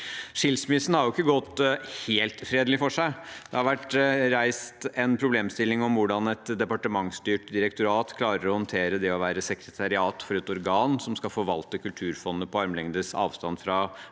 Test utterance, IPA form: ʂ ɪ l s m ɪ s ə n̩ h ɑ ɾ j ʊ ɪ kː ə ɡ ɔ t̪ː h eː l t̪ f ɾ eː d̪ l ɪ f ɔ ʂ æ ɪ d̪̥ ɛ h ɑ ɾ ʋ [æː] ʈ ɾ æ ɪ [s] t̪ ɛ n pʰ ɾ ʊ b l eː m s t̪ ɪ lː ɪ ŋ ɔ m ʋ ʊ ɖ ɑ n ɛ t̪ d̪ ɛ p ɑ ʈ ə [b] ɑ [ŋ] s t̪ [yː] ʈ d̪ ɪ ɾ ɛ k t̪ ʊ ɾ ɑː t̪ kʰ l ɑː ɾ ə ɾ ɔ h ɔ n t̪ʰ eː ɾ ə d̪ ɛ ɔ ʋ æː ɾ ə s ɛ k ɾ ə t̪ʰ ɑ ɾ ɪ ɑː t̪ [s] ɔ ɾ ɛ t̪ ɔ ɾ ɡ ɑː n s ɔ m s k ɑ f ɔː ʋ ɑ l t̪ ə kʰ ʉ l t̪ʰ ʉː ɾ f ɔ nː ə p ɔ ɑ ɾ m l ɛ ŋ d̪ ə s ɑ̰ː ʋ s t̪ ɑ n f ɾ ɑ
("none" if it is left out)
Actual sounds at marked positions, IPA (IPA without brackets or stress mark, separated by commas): æ, s, m, ŋ, yː, f